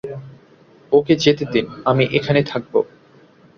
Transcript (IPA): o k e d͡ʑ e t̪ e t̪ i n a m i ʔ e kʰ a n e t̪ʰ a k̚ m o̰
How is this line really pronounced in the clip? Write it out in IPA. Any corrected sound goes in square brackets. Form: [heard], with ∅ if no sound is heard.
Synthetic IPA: o k e d͡ʑ e t̪ e [d̪] i n a m i ʔ e kʰ a n e t̪ʰ a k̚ [b] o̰